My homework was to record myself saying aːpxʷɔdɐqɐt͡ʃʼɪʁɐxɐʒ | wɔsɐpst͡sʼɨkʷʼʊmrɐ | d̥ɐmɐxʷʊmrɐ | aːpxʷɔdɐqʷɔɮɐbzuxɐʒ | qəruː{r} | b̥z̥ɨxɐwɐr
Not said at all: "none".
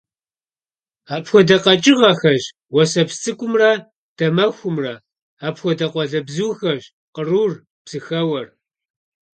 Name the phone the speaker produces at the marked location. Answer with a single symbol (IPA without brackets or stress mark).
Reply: r